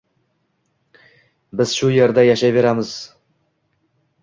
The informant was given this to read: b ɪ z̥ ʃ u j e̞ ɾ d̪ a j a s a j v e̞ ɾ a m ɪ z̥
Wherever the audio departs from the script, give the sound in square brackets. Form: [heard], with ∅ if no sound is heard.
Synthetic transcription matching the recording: b ɪ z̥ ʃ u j e̞ ɾ d̪ a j a [ʃ] a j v e̞ ɾ a m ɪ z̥